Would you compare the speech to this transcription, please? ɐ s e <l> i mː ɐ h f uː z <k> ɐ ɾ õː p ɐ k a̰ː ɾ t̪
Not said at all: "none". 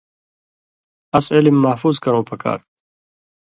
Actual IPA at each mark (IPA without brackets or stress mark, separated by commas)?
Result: l, k